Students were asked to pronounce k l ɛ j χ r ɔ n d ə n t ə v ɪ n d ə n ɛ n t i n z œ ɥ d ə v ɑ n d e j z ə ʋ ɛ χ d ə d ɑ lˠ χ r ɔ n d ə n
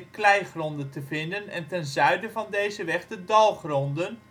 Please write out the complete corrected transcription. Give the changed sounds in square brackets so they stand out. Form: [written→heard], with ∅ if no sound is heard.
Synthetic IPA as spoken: k l ɛ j χ r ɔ n d ə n t ə v ɪ n d ə n ɛ n t [i→ɛ] n z œ ɥ d ə v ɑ n d e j z ə ʋ ɛ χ d ə d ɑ lˠ χ r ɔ n d ə n